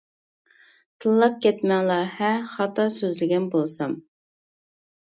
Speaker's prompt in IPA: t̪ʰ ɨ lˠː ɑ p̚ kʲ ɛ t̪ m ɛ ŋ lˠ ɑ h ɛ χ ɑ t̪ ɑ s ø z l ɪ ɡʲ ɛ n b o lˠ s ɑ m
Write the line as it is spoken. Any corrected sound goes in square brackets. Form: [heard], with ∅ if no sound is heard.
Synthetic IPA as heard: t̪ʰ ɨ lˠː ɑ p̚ kʲ ɛ t̪ m ɛ ŋ lˠ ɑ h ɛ χ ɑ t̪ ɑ s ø z l ɪ ɡʲ ɛ n b o lˠ s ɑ m